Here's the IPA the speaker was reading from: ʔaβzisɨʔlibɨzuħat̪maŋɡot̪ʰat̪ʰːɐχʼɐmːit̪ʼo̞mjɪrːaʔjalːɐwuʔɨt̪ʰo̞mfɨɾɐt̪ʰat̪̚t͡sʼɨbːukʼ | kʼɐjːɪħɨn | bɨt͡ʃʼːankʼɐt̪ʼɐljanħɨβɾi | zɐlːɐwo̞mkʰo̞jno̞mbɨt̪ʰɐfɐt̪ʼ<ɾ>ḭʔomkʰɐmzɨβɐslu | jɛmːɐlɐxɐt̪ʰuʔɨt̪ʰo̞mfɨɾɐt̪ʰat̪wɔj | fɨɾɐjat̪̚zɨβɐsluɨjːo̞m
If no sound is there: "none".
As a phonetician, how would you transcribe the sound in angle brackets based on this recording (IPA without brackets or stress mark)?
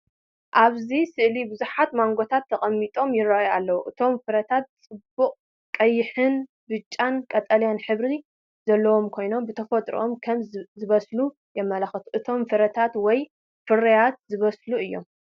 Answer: ɾ